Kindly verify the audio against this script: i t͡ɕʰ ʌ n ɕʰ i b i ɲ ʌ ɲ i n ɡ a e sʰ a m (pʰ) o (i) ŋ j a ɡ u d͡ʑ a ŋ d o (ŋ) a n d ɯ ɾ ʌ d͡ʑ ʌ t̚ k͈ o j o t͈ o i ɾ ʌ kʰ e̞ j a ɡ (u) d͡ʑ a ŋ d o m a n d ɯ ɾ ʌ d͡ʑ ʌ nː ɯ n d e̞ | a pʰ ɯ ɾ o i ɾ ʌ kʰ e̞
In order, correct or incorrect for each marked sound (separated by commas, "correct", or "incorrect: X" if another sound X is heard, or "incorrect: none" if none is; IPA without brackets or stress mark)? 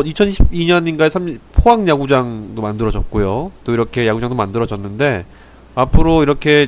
correct, incorrect: a, incorrect: m, correct